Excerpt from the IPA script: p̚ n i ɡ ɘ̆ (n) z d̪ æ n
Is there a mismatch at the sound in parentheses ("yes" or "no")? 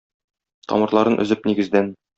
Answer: yes